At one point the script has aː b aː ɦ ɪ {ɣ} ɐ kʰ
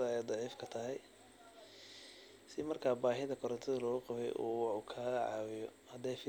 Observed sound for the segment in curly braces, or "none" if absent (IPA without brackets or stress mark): ð